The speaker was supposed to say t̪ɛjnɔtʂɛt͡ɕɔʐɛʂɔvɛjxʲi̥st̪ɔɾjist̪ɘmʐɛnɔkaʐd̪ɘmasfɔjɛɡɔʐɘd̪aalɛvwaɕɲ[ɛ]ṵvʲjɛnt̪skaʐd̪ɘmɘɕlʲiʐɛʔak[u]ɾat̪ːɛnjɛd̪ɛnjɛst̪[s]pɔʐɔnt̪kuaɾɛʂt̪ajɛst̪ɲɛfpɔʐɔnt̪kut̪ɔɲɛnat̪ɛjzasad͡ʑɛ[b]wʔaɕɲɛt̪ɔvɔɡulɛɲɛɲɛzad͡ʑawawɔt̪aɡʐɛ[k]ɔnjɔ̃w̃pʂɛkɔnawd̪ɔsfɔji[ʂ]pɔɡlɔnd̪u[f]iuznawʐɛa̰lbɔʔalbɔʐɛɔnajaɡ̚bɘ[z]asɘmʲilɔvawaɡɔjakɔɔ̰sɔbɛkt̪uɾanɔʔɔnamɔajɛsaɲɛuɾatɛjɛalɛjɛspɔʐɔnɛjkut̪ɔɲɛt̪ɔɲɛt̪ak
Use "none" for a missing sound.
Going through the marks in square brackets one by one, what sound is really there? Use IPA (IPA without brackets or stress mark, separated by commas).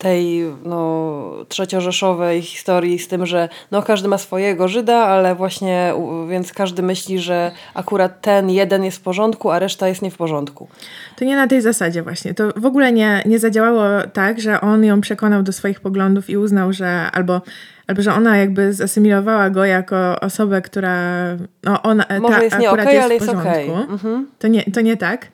ɛ, u, f, v, ʔ, x, f, z